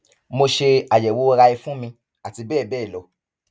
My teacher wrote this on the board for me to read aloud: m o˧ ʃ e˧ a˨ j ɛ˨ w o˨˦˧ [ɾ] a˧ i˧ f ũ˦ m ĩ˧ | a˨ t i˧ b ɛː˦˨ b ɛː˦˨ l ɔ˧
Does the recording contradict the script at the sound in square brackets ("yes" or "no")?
no